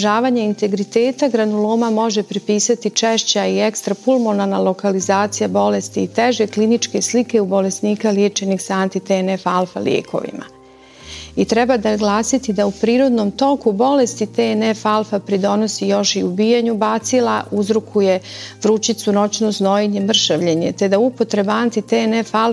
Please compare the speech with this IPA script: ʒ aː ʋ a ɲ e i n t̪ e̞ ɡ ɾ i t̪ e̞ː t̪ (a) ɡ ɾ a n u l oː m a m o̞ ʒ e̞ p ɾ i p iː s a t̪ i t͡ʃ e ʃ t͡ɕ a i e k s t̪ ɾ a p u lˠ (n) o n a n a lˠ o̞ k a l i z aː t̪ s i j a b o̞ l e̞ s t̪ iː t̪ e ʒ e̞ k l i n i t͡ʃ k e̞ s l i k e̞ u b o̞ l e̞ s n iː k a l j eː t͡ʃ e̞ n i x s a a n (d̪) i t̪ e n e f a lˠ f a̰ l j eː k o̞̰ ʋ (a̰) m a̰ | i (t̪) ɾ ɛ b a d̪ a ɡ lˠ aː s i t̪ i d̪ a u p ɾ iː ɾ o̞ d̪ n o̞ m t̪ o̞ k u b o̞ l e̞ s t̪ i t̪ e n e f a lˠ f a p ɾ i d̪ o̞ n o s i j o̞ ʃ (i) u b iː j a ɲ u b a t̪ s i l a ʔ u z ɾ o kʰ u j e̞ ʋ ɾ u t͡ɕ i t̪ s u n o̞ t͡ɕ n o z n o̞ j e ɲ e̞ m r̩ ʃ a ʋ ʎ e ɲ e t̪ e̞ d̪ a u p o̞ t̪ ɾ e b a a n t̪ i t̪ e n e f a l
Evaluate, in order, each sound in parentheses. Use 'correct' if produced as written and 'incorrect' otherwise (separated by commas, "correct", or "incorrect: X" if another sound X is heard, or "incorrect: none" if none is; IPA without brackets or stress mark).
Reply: correct, incorrect: m, incorrect: t̪, incorrect: ḭ, correct, correct